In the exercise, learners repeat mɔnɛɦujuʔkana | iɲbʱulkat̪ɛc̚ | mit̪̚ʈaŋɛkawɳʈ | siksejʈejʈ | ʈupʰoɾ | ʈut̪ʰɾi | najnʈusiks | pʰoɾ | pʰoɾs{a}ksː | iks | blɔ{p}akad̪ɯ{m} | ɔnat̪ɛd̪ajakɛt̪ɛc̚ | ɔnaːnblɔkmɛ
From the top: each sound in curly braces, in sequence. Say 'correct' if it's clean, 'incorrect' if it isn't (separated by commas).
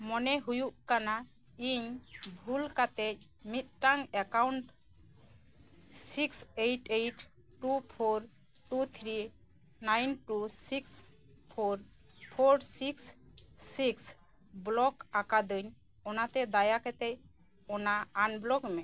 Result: incorrect, incorrect, incorrect